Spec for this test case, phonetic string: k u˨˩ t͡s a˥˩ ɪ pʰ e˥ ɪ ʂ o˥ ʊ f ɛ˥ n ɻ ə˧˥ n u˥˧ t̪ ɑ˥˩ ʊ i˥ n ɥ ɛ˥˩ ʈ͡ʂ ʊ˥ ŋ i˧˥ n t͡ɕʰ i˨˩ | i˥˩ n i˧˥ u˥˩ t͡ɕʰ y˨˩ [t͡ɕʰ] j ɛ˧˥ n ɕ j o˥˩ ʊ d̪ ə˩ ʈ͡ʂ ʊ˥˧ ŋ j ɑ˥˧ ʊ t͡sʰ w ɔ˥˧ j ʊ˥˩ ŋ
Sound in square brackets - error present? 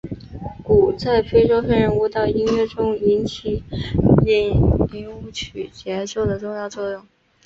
yes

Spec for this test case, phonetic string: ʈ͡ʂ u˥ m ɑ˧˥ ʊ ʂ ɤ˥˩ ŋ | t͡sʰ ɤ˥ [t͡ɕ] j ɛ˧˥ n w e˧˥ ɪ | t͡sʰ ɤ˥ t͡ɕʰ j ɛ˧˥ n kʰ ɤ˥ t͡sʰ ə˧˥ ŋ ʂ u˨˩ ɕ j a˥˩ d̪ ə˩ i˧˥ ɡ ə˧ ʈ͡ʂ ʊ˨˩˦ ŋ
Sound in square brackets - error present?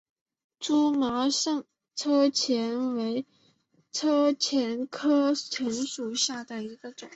yes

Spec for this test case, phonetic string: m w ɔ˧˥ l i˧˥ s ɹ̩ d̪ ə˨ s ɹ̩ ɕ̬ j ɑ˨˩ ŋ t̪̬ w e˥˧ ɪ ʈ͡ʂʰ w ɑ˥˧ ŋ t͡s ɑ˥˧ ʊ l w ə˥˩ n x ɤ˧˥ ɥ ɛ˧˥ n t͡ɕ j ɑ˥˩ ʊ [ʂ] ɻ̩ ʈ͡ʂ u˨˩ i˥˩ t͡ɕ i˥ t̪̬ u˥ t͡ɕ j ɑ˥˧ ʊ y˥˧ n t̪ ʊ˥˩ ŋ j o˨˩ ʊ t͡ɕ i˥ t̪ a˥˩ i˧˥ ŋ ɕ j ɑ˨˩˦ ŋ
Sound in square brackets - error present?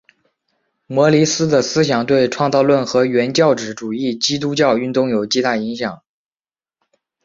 yes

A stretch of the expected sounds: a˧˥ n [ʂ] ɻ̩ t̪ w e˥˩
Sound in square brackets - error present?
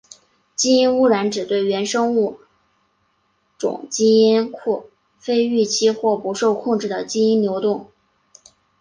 yes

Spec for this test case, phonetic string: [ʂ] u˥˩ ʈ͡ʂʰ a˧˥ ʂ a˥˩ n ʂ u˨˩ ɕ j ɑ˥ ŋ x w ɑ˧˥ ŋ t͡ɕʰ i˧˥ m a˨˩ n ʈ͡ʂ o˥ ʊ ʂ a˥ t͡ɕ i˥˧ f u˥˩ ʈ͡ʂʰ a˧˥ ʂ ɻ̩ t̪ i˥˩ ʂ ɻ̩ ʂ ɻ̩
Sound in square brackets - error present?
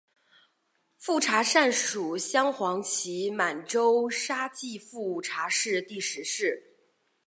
yes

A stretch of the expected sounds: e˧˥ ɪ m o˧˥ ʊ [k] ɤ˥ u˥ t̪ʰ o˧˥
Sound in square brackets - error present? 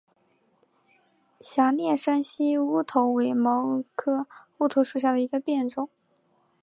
yes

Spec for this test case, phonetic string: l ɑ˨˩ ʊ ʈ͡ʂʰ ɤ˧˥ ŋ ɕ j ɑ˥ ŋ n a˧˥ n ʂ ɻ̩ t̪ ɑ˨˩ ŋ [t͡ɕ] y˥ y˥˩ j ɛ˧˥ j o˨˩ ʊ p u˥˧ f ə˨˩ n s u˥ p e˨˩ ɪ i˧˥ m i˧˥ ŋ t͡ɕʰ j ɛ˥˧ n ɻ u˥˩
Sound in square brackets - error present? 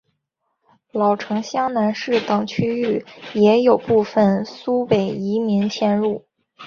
yes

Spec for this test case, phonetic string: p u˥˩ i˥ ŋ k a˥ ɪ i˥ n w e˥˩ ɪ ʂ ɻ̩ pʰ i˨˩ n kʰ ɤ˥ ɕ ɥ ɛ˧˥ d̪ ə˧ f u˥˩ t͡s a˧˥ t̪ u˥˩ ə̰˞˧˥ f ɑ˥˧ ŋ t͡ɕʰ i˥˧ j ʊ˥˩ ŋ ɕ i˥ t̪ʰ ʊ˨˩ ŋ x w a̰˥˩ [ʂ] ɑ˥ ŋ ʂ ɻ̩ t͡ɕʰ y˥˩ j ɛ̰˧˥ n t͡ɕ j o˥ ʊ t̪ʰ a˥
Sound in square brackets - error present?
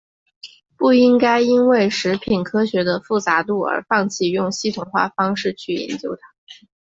yes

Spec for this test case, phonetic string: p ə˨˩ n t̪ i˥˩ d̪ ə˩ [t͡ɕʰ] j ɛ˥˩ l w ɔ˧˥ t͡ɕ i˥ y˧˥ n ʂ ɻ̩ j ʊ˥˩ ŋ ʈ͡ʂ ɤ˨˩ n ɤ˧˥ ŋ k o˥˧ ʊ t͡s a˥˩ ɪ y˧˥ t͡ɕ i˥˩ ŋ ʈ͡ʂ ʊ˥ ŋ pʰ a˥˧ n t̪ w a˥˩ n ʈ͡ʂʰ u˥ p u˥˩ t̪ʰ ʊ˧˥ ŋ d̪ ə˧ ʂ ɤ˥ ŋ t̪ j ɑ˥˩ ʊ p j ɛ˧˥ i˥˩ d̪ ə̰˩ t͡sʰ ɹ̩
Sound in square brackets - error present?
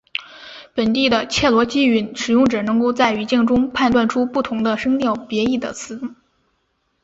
no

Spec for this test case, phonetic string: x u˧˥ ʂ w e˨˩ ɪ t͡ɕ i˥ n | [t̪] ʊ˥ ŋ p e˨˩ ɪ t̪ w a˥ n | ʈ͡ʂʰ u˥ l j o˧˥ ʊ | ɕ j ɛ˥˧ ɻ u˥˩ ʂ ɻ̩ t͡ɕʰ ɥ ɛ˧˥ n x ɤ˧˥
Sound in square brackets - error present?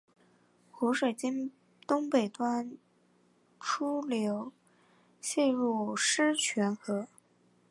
no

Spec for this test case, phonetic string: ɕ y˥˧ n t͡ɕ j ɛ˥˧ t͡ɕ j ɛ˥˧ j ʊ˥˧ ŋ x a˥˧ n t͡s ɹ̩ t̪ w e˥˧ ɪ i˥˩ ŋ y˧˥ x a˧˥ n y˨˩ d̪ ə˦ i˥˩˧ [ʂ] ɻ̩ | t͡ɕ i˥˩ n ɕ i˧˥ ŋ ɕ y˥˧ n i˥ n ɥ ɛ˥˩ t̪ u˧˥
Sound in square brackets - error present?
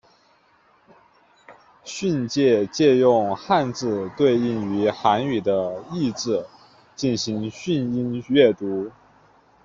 yes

